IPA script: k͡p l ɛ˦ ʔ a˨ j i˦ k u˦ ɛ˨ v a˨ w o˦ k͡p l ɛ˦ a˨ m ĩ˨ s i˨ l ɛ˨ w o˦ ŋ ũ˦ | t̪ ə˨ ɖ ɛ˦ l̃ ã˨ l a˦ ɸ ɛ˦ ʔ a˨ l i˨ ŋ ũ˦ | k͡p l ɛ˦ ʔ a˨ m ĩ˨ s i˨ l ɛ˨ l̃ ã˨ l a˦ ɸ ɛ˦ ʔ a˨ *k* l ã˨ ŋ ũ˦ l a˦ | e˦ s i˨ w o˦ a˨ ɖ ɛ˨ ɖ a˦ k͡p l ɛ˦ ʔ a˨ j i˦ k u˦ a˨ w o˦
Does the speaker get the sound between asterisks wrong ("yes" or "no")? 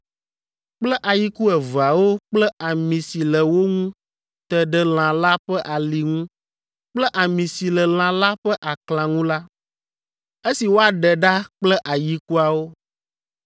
no